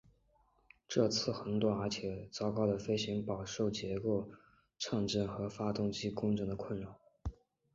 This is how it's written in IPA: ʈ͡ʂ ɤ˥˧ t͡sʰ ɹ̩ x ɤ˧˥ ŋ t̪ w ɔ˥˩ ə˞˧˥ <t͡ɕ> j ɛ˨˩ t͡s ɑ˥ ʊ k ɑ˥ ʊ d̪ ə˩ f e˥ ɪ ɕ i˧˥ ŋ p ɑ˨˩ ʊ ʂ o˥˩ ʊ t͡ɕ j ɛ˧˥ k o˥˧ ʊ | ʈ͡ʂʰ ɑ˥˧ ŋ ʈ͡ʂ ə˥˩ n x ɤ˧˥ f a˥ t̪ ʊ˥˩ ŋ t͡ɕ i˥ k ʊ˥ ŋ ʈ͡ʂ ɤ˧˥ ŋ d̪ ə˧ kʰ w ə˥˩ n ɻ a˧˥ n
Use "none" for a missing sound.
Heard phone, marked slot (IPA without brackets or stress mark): t͡ɕʰ